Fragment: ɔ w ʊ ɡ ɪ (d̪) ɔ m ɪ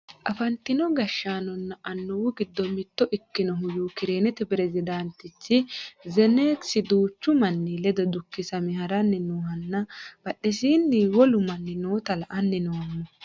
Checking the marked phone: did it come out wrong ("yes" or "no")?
yes